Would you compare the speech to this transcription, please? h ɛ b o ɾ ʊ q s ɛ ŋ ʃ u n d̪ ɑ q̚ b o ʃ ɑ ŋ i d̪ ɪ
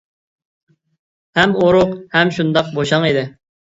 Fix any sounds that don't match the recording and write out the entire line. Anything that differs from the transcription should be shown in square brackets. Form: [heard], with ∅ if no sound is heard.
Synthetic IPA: h ɛ [m] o ɾ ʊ q [h] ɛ [m] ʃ u n d̪ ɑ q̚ b o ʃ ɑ ŋ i d̪ ɪ